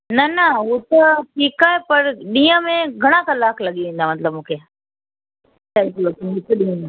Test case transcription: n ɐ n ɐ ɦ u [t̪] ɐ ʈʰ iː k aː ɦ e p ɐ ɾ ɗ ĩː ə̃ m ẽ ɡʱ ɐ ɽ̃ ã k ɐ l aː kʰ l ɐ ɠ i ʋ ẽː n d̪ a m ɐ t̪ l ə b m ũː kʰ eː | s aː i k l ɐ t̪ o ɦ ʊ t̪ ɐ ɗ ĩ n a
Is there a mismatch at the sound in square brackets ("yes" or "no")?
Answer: no